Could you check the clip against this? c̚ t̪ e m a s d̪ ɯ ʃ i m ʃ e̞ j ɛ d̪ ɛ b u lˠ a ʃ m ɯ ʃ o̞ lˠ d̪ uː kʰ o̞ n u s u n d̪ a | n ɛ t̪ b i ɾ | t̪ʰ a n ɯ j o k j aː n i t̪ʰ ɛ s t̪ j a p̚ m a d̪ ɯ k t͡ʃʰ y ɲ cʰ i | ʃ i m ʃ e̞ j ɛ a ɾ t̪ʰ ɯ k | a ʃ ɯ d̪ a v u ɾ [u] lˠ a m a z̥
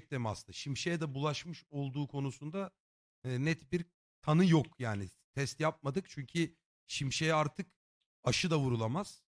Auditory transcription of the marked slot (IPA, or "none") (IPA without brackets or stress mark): u